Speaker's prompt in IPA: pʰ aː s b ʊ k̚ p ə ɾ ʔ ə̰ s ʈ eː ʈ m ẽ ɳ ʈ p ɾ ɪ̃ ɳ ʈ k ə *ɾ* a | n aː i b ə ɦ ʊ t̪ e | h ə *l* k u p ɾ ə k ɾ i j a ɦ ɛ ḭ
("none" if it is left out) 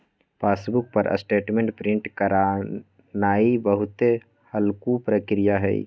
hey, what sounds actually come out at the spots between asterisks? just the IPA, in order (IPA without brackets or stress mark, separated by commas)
ɾ, l